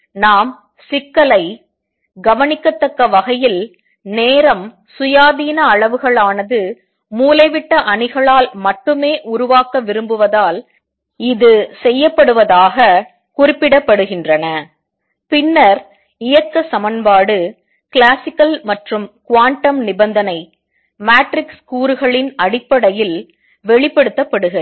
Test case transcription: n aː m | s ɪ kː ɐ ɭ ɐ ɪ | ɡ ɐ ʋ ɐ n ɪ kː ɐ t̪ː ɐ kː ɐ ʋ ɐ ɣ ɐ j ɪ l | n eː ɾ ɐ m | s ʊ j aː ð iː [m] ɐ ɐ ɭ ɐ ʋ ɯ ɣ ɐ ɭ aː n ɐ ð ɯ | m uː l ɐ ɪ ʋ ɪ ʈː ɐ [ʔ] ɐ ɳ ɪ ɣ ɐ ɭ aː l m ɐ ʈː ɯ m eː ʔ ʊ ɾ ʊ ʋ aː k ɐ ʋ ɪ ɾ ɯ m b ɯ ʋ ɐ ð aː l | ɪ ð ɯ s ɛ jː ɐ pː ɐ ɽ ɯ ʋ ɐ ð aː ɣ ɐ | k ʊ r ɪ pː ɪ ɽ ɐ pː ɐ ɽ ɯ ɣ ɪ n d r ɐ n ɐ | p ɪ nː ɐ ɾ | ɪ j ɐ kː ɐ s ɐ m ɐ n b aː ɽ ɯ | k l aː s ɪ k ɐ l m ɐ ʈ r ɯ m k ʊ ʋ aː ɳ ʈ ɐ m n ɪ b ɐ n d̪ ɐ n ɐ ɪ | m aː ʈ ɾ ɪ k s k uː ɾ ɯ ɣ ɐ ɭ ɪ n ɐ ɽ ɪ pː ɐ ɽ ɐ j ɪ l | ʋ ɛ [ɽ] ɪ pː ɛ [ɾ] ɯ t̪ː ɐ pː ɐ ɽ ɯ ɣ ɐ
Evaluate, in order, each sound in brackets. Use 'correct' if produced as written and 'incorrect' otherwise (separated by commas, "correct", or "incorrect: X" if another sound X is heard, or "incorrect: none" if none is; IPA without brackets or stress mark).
incorrect: n, correct, incorrect: ɭ, incorrect: ɽ